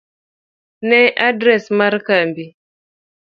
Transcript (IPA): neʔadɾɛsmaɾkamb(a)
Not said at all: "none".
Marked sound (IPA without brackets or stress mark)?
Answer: i